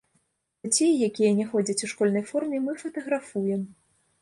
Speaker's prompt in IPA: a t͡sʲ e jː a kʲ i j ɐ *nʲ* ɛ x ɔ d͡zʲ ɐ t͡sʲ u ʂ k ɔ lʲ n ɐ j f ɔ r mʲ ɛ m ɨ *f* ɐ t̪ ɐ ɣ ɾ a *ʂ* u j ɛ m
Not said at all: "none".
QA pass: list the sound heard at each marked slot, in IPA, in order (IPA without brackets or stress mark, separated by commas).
nʲ, f, f